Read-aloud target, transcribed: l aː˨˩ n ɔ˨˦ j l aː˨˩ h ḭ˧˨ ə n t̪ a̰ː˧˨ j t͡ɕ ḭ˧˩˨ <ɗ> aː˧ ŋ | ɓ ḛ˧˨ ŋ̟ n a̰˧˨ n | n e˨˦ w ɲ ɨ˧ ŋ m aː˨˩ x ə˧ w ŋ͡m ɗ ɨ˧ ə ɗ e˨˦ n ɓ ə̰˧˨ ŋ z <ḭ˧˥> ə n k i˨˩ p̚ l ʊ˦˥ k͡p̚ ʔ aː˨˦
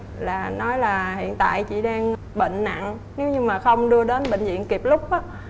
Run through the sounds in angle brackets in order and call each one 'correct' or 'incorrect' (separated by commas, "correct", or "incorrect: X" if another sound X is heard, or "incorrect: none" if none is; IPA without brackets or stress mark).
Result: correct, incorrect: ḭ˧˨